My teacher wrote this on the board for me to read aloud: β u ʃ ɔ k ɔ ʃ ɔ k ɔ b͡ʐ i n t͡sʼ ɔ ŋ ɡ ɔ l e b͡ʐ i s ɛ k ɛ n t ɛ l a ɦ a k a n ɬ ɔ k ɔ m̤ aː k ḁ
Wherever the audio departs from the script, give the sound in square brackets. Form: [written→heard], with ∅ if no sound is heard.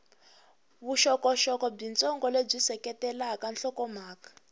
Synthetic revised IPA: β u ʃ ɔ k ɔ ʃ ɔ k ɔ b͡ʐ i n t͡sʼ ɔ ŋ ɡ ɔ l e b͡ʐ i s ɛ k ɛ [n→∅] t ɛ l a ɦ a k a n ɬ ɔ k ɔ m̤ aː k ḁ